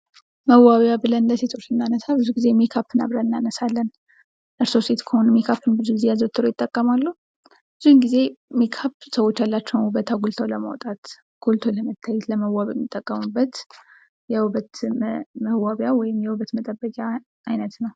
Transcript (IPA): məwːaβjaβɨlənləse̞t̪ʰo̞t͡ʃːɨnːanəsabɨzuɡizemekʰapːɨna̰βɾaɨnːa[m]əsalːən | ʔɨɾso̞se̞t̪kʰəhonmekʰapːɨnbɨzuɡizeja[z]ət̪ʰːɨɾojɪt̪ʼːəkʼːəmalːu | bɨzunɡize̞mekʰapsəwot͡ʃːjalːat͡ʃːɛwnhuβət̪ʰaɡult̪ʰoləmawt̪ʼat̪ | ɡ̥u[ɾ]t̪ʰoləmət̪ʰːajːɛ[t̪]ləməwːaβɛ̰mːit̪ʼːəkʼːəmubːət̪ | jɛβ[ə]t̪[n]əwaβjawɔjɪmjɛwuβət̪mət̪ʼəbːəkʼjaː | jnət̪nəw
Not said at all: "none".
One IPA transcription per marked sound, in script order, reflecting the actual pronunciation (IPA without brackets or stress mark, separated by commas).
n, z, l, t̪, ə, m